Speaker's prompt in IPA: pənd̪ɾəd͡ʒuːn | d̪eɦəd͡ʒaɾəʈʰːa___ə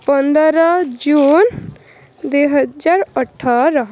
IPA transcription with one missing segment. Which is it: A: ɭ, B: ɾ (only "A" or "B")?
B